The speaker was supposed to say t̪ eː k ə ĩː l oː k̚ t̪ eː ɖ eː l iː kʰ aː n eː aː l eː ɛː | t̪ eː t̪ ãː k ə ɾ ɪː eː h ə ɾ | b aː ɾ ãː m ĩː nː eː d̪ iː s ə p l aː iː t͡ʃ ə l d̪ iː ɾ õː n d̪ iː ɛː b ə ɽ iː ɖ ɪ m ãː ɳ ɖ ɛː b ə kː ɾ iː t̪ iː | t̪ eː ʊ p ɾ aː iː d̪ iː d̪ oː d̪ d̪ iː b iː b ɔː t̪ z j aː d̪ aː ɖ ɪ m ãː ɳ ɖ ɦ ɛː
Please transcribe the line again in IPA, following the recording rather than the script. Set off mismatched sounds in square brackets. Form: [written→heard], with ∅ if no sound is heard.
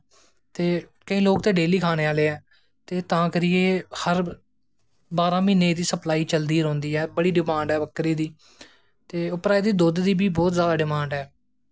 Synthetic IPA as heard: t̪ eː k ə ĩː l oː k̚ t̪ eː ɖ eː l iː kʰ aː n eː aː l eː ɛː | t̪ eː t̪ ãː k ə ɾ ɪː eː h ə ɾ | b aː ɾ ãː m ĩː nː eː d̪ iː s ə p l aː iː t͡ʃ ə l d̪ iː ɾ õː n d̪ iː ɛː b ə ɽ iː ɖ ɪ m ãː ɳ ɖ ɛː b ə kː ɾ iː [t̪→d̪] iː | t̪ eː ʊ p ɾ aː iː d̪ iː d̪ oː d̪ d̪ iː b iː b ɔː t̪ z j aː d̪ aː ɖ ɪ m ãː ɳ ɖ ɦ ɛː